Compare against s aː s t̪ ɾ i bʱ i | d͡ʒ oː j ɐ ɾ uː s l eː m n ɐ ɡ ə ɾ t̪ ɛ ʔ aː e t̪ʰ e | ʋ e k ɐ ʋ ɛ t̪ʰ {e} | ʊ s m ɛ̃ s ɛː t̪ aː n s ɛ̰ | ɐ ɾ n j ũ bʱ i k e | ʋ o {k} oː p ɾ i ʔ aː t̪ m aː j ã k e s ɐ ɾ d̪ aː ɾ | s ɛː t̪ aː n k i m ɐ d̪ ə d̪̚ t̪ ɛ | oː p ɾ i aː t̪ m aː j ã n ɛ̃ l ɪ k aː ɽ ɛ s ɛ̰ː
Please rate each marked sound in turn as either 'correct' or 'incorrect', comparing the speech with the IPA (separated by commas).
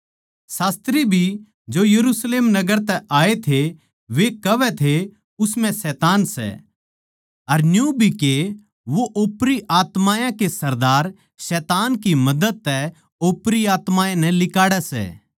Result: correct, incorrect